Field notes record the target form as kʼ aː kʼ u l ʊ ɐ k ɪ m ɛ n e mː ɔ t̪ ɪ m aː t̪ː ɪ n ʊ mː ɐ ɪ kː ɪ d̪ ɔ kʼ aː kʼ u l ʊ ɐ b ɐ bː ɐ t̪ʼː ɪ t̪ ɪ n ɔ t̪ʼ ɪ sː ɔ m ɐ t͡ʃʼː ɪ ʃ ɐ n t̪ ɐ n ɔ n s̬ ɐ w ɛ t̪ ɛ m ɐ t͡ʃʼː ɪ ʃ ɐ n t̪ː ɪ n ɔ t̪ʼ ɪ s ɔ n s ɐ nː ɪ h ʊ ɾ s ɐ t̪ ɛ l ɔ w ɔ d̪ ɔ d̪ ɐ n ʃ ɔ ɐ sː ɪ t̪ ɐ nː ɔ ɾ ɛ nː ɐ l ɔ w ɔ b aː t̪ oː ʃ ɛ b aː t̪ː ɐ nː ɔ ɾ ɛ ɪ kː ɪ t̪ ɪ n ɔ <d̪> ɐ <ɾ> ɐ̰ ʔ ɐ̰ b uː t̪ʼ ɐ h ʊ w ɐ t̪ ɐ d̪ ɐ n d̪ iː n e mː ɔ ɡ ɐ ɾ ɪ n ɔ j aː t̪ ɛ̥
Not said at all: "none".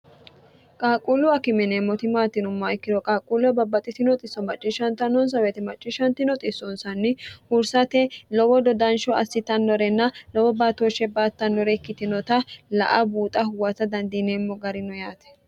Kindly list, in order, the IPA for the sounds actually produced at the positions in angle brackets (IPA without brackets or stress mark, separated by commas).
t̪, l